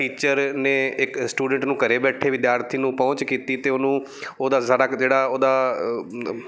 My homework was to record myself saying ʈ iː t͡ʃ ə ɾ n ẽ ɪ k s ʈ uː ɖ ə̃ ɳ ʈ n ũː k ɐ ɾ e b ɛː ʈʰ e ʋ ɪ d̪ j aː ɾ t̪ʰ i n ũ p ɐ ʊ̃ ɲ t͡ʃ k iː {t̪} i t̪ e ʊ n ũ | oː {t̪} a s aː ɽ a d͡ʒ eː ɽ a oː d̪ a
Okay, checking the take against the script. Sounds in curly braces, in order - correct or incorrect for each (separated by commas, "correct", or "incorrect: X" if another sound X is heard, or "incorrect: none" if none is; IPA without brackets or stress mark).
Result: correct, incorrect: d̪